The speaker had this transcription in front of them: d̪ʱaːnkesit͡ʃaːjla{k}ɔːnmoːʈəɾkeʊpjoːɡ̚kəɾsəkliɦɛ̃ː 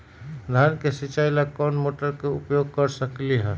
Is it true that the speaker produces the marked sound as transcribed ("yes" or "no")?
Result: yes